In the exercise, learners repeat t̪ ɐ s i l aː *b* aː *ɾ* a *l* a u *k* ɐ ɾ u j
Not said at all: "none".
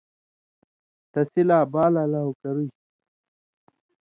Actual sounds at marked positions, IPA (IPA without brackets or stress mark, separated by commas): b, l, l, k